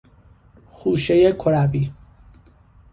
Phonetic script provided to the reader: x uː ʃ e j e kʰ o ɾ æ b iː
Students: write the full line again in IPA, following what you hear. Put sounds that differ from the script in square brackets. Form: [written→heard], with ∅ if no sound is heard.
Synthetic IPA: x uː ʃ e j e kʰ o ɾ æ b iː